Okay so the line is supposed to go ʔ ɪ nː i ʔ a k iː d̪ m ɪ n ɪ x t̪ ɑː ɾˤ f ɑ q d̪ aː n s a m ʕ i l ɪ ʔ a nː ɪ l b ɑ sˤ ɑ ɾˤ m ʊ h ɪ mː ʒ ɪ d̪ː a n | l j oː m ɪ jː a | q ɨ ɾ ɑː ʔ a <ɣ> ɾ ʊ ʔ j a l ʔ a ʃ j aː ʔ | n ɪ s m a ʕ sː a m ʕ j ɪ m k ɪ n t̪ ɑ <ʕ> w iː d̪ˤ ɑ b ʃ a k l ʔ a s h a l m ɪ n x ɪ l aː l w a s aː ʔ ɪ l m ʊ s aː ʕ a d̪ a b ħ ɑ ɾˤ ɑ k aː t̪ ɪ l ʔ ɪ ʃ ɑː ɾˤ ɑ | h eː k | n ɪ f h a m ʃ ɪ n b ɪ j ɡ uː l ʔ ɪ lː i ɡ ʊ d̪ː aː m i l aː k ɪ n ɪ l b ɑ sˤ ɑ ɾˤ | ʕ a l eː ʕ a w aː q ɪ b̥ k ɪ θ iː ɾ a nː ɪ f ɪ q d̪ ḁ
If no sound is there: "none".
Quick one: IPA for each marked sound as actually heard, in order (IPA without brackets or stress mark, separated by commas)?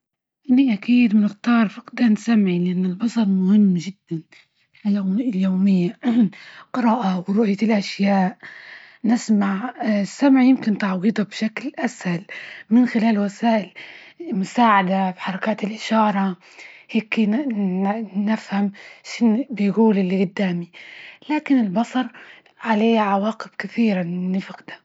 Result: w, ʕ